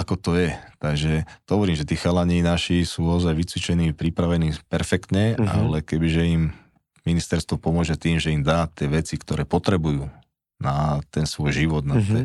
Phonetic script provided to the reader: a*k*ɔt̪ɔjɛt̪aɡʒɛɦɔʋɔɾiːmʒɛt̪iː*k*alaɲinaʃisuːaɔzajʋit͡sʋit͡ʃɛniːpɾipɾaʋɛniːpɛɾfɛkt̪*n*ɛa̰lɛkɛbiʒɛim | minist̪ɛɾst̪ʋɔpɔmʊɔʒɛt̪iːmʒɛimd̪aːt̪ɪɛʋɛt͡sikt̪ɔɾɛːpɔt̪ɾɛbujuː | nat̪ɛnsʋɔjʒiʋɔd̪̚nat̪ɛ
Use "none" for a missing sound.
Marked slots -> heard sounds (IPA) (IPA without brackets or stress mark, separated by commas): k, x, ɲ